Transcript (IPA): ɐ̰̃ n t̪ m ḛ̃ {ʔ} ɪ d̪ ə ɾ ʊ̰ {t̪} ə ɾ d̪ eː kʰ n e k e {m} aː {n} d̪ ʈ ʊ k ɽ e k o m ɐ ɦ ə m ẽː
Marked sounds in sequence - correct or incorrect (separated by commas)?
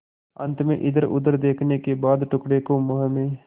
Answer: correct, incorrect, incorrect, incorrect